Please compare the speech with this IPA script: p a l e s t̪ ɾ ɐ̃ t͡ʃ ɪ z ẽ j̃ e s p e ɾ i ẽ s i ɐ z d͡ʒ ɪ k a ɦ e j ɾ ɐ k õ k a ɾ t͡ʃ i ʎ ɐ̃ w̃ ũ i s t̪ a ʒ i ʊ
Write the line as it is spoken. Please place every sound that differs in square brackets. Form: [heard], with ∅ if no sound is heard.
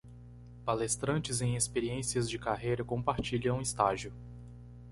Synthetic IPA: p a l e s t̪ ɾ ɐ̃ t͡ʃ ɪ z ẽ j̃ e s p e ɾ i ẽ s i ɐ z d͡ʒ ɪ k a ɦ e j ɾ ɐ k õ [p] a ɾ t͡ʃ i ʎ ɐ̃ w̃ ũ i s t̪ a ʒ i ʊ